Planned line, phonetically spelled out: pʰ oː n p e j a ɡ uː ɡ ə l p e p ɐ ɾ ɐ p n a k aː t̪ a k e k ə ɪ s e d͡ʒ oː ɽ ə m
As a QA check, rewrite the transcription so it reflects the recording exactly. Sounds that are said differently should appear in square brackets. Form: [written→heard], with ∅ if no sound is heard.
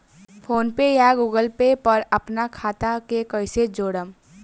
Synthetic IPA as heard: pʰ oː n p e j a ɡ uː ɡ ə l p e p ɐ ɾ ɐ p n a [k→kʰ] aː t̪ a k e k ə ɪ s e d͡ʒ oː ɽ ə m